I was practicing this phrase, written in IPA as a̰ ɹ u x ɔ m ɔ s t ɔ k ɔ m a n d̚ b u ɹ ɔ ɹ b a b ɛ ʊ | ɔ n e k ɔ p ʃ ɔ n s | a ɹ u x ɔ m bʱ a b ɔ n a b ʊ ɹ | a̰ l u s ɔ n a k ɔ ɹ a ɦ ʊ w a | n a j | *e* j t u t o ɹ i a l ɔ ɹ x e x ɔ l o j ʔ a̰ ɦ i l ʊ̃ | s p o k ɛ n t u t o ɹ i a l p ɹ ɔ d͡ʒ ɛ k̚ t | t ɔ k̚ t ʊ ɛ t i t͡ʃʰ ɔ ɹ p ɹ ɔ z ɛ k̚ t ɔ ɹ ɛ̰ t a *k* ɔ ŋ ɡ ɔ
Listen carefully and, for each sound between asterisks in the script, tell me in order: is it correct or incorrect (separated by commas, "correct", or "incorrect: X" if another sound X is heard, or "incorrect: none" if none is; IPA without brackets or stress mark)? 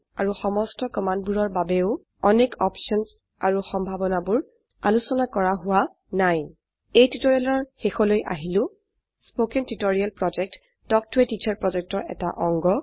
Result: correct, incorrect: ʔ